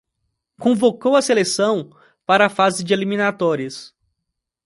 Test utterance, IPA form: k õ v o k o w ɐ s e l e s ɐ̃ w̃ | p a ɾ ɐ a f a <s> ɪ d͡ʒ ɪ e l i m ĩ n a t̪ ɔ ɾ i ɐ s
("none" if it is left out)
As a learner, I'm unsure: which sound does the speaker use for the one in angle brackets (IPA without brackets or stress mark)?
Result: z